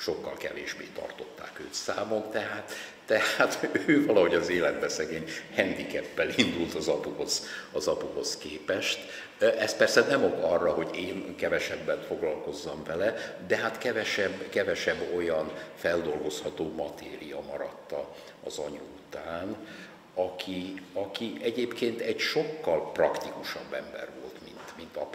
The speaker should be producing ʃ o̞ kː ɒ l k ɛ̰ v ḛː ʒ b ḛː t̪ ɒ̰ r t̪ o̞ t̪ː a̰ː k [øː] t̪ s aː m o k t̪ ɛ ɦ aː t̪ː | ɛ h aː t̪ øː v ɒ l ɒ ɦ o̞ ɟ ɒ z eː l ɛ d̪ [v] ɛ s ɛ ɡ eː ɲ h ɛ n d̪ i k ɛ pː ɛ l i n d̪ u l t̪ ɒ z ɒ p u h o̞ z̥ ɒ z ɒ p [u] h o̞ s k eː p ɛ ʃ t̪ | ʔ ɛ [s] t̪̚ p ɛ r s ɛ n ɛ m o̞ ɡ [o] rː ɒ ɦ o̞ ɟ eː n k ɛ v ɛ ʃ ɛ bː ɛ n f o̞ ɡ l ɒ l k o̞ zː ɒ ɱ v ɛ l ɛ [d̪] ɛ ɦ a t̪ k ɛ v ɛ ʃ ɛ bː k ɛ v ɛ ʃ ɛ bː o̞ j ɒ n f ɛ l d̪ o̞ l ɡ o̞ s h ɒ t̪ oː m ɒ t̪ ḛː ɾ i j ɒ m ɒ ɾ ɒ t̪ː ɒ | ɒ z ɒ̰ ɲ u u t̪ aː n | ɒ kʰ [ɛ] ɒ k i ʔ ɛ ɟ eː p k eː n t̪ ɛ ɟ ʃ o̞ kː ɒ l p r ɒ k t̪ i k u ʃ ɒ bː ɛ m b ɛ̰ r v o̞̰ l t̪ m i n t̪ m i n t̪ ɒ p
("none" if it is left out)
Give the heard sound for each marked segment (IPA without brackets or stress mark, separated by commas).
øː, b, u, s, ɒ, d̪, i